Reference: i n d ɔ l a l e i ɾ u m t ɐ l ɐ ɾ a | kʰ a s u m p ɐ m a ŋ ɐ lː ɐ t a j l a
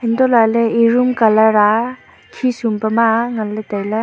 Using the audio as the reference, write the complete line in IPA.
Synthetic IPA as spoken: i n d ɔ l a l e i ɾ u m k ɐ l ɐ ɾ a | kʰ i s u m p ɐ m a ŋ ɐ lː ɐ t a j l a